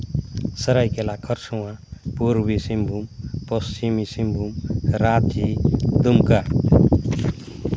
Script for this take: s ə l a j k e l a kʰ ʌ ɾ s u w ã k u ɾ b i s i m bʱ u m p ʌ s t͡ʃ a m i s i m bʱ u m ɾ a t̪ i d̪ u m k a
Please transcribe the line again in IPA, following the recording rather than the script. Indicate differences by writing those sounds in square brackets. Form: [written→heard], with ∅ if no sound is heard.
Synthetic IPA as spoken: s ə [l→ɾ] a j k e l a kʰ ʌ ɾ s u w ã [k→p] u ɾ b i s i m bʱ u m p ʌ s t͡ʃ [a→i] m i s i m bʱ u m ɾ a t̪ i d̪ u m k a